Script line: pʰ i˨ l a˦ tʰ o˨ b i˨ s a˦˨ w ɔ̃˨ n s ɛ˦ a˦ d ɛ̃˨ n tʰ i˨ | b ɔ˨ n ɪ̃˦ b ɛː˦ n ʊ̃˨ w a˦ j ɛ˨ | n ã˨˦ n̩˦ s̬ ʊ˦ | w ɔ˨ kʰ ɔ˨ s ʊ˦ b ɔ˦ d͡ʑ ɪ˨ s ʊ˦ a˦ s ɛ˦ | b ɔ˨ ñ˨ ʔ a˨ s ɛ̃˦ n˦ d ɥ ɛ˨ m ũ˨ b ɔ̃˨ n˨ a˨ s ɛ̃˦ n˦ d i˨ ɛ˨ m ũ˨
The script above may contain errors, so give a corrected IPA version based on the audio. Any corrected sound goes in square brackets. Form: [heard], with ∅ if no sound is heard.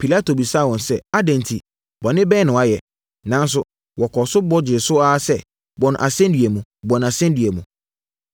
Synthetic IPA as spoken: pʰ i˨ l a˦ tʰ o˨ b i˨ s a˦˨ w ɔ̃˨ n s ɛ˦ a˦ d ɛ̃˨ n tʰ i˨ | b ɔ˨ n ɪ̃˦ b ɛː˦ n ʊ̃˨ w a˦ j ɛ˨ | n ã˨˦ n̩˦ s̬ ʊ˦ | w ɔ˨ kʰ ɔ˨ s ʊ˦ b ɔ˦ d͡ʑ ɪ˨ s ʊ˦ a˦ s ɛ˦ | b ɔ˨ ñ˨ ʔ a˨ s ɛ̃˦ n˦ d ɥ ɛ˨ m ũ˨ b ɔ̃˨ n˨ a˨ s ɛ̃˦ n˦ d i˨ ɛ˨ m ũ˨